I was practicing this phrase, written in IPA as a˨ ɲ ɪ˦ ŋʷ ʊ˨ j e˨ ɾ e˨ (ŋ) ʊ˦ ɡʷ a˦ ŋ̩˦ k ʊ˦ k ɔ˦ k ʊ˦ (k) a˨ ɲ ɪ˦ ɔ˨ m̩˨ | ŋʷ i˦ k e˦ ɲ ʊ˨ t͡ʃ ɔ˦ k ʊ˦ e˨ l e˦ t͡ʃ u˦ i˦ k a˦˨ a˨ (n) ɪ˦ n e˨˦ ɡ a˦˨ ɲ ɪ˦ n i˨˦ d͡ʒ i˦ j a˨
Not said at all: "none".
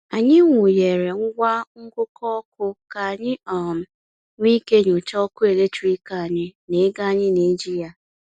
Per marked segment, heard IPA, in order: ŋ, k, ɲ

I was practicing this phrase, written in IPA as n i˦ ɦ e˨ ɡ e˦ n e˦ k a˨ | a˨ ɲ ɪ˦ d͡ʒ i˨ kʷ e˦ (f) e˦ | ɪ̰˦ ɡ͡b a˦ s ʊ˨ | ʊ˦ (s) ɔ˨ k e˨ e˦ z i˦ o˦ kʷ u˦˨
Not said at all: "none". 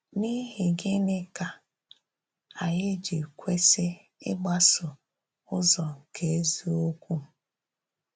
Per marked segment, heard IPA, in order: s, z

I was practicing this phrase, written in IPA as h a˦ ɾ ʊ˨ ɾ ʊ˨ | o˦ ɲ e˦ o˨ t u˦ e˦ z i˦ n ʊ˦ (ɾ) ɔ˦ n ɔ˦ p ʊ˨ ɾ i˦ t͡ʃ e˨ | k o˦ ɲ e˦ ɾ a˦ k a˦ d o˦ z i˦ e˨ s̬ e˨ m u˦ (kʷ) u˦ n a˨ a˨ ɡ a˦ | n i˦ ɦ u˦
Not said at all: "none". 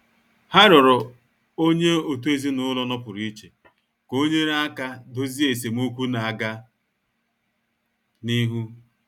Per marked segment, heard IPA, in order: l, kʷ

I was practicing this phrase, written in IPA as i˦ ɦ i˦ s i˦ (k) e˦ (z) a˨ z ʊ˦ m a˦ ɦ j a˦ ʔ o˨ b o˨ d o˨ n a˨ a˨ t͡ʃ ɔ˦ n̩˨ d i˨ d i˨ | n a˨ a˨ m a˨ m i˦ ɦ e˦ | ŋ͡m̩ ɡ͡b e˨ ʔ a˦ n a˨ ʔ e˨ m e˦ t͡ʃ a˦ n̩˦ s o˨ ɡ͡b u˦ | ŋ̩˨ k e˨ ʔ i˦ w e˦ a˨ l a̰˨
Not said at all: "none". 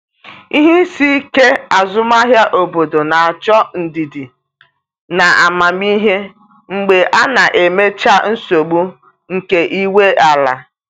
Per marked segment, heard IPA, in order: k, none

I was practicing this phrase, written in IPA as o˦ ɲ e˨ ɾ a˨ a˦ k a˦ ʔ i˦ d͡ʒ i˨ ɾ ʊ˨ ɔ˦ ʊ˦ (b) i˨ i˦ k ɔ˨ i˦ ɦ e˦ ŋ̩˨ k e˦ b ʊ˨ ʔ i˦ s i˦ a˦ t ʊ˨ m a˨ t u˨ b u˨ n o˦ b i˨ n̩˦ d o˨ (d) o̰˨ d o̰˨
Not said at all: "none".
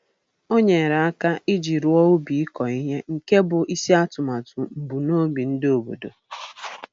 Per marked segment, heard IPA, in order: b, b

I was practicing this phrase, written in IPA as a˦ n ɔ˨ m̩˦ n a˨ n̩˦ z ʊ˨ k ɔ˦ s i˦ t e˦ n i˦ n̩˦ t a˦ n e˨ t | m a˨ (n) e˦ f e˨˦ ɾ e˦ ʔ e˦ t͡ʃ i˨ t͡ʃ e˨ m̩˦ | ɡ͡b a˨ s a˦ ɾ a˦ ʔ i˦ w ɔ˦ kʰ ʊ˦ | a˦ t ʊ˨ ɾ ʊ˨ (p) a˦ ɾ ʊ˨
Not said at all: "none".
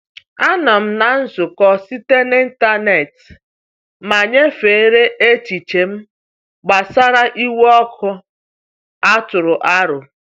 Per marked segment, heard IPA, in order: ɲ, ʔ

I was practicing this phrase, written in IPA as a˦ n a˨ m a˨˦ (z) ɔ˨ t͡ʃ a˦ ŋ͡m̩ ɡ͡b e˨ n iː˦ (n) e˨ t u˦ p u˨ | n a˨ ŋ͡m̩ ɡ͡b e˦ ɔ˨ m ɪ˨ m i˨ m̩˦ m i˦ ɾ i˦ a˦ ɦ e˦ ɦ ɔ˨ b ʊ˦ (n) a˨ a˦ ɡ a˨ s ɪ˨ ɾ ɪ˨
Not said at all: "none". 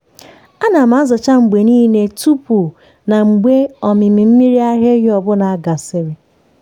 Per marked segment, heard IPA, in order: z, n, n

